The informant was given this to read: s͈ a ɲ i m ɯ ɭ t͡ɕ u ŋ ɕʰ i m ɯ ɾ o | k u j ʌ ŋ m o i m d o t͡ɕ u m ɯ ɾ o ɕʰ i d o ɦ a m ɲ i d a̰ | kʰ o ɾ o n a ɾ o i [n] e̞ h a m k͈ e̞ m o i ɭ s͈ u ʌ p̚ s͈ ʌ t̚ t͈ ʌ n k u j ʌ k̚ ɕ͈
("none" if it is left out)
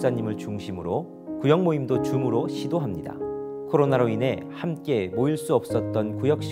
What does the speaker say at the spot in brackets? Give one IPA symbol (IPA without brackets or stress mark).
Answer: n